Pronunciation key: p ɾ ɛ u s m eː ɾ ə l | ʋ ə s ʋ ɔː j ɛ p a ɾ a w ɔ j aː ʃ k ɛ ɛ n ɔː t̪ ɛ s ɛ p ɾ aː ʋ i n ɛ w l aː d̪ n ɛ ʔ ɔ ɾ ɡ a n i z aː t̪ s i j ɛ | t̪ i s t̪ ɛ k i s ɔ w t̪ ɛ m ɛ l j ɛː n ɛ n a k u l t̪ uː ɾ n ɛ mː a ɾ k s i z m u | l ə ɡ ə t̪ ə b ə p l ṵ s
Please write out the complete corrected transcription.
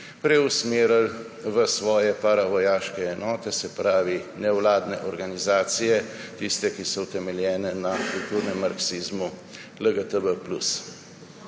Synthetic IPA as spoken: p ɾ ɛ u s m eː ɾ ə l | ʋ ə s ʋ ɔː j ɛ p a ɾ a ʋ ɔ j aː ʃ k ɛ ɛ n ɔː t̪ ɛ s ɛ p ɾ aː ʋ i n ɛ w l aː d̪ n ɛ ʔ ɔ ɾ ɡ a n i z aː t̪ s i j ɛ | t̪ i s t̪ ɛ k i s ɔ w t̪ ɛ m ɛ l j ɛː n ɛ n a k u l t̪ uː ɾ n ɛ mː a ɾ k s i z m u | l ə ɡ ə t̪ ə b ə p l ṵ s